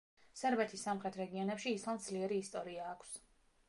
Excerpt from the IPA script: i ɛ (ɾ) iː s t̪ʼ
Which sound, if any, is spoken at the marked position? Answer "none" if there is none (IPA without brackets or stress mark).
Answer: ɾ